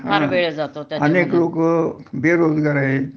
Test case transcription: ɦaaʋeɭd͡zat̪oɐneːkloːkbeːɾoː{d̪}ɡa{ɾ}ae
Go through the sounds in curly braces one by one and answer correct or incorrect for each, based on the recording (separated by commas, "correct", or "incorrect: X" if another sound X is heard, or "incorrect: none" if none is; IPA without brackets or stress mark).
correct, correct